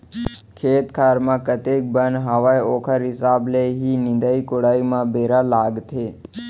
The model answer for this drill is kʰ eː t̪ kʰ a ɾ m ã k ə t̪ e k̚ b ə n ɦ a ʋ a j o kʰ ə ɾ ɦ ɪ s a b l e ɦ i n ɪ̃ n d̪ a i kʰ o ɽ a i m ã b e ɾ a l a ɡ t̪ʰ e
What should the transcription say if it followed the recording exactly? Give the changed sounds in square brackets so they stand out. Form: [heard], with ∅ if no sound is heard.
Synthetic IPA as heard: kʰ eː t̪ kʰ a ɾ m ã k ə t̪ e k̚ b ə n ɦ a ʋ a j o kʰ ə ɾ ɦ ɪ s a b l e ɦ i n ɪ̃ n d̪ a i [k] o ɽ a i m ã b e ɾ a l a ɡ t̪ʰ e